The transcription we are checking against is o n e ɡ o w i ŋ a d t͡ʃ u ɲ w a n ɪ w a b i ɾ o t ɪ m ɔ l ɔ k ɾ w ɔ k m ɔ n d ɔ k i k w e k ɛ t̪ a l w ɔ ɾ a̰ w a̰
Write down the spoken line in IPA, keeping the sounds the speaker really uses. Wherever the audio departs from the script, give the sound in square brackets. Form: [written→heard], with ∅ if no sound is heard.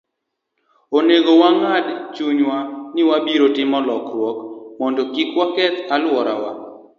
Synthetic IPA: o n e ɡ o w [i→a] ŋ a d t͡ʃ u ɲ w a n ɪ w a b i ɾ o t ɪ m ɔ l ɔ k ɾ w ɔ k m ɔ n d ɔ k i k w [e→a] k ɛ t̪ a l w ɔ ɾ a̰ w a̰